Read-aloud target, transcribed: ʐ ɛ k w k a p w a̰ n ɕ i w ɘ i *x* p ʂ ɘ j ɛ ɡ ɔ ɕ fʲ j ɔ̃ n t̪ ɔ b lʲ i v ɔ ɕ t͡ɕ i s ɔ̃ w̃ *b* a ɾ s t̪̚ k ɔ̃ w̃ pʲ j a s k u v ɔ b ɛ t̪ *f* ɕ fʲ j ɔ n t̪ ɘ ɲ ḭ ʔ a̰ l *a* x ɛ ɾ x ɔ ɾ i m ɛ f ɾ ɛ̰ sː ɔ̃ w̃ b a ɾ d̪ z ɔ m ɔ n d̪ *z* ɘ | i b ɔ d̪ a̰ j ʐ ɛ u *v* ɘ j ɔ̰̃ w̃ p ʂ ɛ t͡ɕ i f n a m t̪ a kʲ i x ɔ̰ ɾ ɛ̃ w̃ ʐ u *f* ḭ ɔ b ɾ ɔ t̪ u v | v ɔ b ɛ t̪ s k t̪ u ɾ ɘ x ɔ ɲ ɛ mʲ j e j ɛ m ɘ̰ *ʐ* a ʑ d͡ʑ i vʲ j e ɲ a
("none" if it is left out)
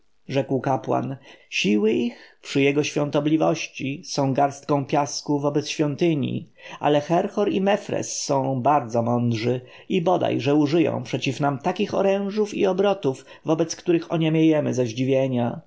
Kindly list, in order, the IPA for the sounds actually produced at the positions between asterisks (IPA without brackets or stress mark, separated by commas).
x, ɡ, s, ɛ, ʐ, ʐ, f, z